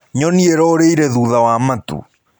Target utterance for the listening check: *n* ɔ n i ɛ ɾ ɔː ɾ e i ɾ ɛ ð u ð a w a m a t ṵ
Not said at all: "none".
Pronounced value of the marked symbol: ɲ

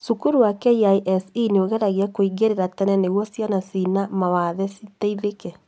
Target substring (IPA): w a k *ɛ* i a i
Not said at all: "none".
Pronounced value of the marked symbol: ɛ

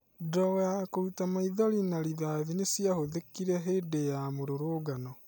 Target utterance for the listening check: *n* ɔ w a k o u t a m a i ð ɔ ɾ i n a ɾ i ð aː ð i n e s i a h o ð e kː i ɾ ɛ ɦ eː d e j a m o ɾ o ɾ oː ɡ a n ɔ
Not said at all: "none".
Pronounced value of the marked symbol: d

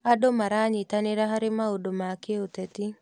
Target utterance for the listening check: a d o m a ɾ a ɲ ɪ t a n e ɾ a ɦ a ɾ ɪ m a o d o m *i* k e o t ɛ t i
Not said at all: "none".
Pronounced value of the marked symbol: a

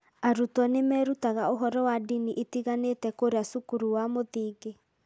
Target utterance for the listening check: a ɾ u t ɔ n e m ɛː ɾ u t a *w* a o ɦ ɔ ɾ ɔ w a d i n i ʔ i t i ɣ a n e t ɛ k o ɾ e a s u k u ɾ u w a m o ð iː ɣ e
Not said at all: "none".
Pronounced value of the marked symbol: ɣ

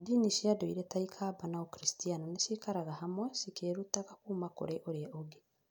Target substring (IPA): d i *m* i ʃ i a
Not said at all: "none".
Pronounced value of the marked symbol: n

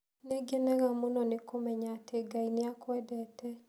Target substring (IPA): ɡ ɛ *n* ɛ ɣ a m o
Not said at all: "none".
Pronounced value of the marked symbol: n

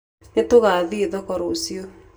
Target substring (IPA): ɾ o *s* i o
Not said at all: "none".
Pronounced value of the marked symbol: s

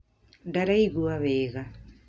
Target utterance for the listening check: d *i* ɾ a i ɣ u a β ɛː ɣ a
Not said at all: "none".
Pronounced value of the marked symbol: a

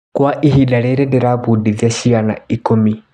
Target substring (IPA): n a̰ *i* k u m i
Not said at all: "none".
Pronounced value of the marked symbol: i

